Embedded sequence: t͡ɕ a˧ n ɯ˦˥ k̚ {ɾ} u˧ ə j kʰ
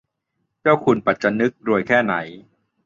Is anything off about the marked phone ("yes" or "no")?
no